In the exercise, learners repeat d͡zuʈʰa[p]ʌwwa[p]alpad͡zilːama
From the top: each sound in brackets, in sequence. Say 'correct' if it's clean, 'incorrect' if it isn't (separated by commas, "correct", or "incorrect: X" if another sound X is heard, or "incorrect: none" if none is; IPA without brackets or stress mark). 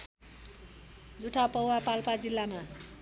correct, correct